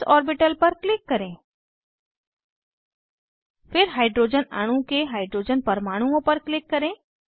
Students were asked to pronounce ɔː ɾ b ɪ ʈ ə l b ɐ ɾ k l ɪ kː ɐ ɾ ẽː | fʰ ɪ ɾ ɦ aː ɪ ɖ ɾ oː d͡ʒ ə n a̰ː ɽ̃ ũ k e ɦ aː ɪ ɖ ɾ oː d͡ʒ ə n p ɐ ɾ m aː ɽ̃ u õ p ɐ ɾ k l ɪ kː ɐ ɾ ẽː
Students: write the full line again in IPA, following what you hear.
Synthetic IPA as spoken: ɔː ɾ b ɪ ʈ ə l p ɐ ɾ k l ɪ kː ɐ ɾ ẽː | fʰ ɪ ɾ ɦ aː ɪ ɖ ɾ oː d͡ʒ ə n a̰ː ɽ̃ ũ k e ɦ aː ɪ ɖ ɾ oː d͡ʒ ə n p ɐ ɾ m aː ɽ̃ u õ p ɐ ɾ k l ɪ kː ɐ ɾ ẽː